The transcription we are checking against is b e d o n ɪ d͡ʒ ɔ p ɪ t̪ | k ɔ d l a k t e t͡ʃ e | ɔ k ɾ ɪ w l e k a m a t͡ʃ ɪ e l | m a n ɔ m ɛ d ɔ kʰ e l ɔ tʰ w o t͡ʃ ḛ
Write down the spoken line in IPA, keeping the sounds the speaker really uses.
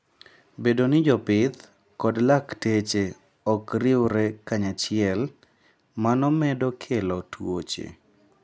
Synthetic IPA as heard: b e d o n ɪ d͡ʒ ɔ p ɪ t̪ | k ɔ d l a k t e t͡ʃ e | ɔ k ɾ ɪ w ɾ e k a ɲ a t͡ʃ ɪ ɛ l | m a n ɔ m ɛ d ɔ kʰ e l ɔ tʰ w o t͡ʃ ḛ